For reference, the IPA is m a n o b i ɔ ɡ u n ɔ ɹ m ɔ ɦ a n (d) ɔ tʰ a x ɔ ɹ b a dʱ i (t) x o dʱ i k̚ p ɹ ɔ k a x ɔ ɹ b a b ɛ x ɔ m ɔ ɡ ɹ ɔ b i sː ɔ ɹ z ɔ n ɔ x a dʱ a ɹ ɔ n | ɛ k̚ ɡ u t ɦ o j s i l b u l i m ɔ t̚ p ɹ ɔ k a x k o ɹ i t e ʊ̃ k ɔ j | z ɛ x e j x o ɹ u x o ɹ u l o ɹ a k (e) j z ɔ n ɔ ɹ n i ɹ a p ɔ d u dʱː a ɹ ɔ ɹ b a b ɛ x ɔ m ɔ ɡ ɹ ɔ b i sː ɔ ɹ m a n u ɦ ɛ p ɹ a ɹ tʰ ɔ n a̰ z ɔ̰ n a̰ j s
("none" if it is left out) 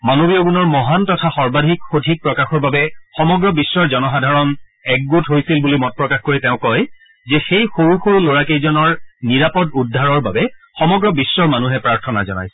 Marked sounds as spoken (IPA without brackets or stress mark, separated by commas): t, k, e